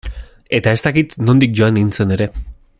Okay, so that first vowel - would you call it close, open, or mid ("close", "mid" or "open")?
mid